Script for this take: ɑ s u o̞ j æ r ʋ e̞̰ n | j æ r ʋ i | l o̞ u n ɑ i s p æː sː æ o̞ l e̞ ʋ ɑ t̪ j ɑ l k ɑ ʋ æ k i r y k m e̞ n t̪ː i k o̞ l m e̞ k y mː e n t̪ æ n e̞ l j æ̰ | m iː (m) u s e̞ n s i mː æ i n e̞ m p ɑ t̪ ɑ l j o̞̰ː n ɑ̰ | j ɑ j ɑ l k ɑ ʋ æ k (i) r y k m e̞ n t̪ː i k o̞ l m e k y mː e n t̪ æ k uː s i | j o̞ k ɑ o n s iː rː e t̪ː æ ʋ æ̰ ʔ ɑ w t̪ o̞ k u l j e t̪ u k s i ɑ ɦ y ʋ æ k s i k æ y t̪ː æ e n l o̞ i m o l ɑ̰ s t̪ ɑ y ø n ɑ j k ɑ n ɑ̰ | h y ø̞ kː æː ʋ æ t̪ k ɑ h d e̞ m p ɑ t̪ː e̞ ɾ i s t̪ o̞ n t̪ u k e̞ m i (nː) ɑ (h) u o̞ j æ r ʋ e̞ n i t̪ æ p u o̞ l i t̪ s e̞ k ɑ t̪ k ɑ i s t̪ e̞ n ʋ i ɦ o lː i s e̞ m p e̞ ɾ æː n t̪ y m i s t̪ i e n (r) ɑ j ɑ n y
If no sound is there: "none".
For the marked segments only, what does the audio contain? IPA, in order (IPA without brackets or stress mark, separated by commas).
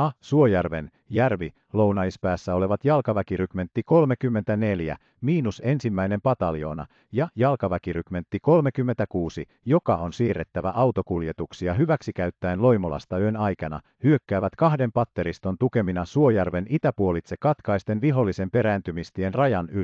n, i, n, s, r